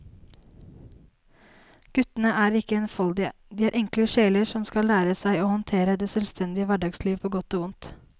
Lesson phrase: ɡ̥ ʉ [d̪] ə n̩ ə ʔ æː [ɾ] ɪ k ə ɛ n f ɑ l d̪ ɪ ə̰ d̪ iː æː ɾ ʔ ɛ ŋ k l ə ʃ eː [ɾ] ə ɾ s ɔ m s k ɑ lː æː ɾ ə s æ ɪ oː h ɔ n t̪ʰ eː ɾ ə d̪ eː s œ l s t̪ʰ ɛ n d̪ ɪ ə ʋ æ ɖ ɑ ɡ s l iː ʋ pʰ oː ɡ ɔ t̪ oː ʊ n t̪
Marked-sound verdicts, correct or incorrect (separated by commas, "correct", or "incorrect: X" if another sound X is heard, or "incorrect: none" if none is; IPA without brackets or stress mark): incorrect: t̪, correct, incorrect: l